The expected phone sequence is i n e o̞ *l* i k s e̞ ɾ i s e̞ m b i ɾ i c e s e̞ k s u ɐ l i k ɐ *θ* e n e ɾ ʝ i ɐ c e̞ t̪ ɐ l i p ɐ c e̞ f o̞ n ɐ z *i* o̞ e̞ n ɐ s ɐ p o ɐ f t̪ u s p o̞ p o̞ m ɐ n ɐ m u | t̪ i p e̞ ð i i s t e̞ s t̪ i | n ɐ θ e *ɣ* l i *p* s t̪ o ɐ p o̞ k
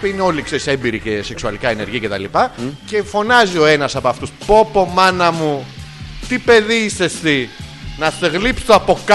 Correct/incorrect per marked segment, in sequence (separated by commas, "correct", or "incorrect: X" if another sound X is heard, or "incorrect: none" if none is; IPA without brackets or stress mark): correct, incorrect: none, correct, correct, correct